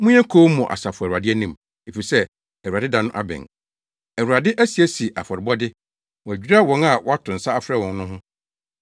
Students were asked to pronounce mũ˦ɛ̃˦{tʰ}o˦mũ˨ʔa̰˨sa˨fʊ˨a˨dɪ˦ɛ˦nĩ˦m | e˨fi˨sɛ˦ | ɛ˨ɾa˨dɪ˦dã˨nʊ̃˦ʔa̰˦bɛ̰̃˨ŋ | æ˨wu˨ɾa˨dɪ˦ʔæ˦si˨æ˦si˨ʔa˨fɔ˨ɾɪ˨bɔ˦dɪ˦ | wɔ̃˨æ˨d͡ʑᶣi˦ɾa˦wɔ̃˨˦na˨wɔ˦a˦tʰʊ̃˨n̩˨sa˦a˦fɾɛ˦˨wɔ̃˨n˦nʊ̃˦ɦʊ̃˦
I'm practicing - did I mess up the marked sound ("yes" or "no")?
yes